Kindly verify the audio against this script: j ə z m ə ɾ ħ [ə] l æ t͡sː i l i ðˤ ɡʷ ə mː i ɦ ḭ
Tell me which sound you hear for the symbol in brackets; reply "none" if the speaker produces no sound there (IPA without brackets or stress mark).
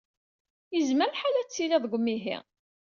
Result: a